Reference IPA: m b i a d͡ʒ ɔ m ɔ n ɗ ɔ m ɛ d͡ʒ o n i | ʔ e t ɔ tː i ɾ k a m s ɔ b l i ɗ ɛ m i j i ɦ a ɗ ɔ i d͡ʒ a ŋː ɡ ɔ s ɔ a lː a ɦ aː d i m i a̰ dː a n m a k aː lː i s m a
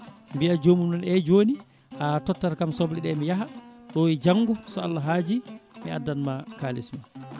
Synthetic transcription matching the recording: m b i a d͡ʒ o m u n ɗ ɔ n ɛ d͡ʒ o n i | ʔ a t ɔ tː a ɾ k a m s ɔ b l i ɗ ɛ m i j a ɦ a ɗ ɔ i d͡ʒ a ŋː ɡ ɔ s ɔ a lː a ɦ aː d͡ʒ i m i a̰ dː a n m a k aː l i s m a